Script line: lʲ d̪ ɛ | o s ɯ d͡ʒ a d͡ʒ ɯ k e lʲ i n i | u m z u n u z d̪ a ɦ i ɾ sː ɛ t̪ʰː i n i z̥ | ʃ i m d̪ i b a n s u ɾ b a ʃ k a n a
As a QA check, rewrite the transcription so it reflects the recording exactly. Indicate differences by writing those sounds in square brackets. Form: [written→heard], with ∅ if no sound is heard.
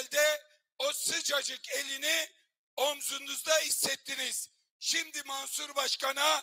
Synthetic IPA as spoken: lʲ d̪ ɛ | o s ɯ d͡ʒ a d͡ʒ ɯ k e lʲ i n i | [u→o] m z u n u z d̪ a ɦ i [ɾ→∅] sː ɛ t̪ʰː i n i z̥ | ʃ i m d̪ i [b→m] a n s u ɾ b a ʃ k a n a